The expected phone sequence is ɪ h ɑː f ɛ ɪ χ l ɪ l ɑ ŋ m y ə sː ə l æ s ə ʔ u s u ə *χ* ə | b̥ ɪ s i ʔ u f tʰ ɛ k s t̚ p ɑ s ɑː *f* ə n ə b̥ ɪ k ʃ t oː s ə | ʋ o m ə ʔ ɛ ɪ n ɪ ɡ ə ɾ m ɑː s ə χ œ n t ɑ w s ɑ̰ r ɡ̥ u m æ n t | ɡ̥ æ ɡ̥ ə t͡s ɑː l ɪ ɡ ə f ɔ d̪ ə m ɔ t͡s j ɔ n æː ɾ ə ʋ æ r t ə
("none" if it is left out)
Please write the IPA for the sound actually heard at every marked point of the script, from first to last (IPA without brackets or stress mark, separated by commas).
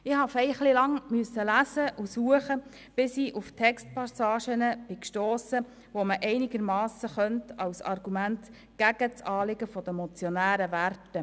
χ, ʃ